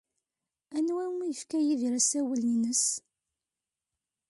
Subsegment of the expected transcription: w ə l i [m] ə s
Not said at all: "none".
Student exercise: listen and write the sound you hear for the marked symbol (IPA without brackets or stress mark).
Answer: n